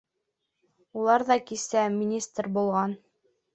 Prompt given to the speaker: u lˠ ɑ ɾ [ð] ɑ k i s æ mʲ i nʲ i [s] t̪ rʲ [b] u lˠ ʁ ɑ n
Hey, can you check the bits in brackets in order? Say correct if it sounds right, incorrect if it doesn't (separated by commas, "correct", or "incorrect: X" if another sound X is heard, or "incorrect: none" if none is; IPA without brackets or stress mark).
correct, correct, correct